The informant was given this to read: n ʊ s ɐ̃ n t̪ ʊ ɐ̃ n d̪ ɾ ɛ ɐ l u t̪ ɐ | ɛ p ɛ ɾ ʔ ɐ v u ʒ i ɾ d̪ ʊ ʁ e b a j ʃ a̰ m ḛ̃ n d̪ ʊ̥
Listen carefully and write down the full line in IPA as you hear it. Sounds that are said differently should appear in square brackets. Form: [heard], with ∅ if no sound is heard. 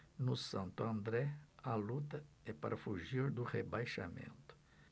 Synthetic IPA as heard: n ʊ s ɐ̃ n t̪ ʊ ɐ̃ n d̪ ɾ ɛ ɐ l u t̪ ɐ | ɛ p [a] ɾ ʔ ɐ [f] u ʒ i ɾ d̪ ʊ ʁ e b a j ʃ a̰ m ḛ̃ n [t̪] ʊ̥